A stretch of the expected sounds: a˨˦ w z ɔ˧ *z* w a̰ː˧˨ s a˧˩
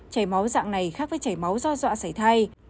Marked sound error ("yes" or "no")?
no